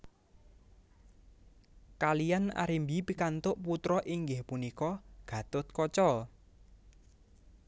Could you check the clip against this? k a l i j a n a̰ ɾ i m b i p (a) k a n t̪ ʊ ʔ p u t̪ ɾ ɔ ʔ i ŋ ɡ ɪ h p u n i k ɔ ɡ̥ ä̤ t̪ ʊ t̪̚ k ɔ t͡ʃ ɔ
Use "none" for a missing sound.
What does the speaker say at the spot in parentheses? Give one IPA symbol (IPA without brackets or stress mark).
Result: i